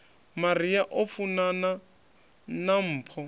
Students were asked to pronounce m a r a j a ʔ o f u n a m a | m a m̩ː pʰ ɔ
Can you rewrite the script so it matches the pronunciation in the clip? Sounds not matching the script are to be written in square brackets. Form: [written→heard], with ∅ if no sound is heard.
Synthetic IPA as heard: m a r [a→i] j a ʔ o f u n a [m→n] a | [m→n] a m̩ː pʰ ɔ